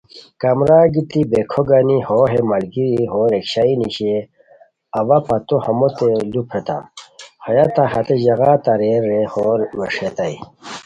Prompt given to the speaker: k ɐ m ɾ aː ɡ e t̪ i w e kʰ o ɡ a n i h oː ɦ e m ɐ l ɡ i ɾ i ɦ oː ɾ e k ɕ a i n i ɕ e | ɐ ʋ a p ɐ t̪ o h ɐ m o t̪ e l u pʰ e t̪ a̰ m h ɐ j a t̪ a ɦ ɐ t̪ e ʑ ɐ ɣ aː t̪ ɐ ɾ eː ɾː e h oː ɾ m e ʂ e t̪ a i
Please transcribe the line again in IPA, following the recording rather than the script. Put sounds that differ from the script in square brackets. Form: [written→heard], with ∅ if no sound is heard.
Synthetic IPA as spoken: k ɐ m ɾ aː ɡ [e→i] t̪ i [w→b] e kʰ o ɡ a n i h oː ɦ e m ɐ l ɡ i ɾ i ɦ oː ɾ e k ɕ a i n i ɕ e | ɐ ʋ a p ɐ t̪ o h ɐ m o t̪ e l u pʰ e t̪ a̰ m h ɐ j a t̪ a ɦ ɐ t̪ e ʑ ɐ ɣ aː t̪ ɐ ɾ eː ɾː e h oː ɾ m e ʂ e t̪ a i